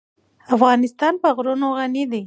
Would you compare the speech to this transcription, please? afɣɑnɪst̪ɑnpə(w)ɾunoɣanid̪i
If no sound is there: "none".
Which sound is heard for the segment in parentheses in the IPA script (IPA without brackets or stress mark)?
ɣ